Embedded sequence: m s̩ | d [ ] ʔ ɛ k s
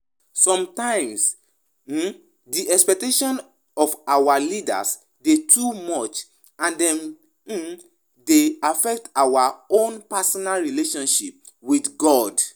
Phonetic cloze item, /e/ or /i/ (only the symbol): i